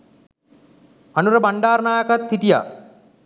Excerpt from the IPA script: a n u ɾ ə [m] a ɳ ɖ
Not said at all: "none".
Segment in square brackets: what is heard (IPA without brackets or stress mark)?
b